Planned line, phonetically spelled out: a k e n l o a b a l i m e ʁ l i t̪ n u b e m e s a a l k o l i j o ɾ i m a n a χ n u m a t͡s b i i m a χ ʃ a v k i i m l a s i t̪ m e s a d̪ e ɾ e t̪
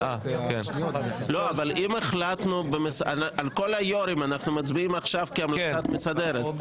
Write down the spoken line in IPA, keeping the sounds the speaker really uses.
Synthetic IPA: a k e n l o a v a l i m e χ l a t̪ n u b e m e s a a l k o l a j o ɾ i m a n a χ n u m a t͡s b i i m a χ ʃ a v k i a m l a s a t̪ m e s a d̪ e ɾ e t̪